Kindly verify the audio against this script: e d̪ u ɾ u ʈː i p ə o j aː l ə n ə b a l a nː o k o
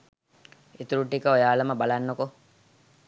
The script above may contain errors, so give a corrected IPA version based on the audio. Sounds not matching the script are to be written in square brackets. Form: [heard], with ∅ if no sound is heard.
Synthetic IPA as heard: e [t̪] u ɾ u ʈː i [k] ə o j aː l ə [m] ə b a l a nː o k o